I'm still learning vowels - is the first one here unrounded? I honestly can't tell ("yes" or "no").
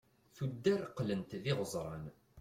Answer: no